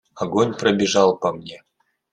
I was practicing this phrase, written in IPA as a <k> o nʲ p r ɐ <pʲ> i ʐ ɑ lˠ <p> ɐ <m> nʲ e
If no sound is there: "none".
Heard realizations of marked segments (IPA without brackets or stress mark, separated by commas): ɡ, bʲ, p, m